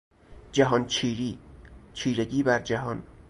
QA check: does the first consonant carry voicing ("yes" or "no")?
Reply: yes